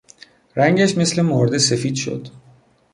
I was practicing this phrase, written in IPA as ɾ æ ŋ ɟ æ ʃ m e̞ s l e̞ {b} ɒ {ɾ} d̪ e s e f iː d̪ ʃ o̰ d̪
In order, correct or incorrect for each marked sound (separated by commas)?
incorrect, correct